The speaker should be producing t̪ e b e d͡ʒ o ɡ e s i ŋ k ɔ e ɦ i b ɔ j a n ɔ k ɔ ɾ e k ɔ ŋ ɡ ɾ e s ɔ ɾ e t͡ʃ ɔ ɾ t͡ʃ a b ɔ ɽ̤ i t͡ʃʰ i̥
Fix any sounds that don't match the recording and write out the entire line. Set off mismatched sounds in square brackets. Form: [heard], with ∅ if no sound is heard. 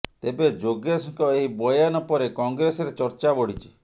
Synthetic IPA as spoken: t̪ e b e d͡ʒ o ɡ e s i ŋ k ɔ e ɦ i b ɔ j a n ɔ [p] ɔ ɾ e k ɔ ŋ ɡ ɾ e s ɔ ɾ e t͡ʃ ɔ ɾ t͡ʃ a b ɔ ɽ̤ i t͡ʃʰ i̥